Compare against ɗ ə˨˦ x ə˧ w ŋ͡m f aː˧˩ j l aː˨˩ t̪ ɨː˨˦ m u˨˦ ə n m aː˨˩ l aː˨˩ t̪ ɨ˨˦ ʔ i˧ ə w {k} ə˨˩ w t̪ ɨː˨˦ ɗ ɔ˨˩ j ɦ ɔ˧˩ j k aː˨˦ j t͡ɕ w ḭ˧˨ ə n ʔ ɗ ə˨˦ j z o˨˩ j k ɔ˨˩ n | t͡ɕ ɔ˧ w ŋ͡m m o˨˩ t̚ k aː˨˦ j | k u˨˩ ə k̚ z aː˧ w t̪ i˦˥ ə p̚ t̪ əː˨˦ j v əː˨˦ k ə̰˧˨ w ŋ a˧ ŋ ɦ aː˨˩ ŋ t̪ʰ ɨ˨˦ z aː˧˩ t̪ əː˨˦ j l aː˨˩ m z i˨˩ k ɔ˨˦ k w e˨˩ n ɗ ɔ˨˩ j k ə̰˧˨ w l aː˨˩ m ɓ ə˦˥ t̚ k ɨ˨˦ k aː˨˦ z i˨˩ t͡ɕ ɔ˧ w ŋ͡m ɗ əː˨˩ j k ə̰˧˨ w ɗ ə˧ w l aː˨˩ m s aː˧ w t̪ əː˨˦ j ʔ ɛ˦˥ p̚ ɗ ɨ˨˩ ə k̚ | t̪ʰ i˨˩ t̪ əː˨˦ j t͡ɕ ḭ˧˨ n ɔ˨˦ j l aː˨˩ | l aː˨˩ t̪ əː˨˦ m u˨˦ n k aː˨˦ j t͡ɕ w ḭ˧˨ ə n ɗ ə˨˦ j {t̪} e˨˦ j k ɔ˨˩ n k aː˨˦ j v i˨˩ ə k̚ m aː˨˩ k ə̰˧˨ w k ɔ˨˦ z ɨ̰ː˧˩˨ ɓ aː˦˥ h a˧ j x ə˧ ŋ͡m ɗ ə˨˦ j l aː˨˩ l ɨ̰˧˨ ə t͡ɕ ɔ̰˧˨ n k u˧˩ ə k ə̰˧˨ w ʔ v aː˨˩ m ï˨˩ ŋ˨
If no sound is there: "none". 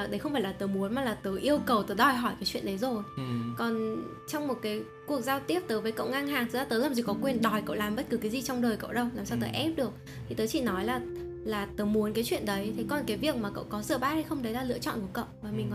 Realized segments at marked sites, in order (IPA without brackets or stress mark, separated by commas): k, t̪ʰ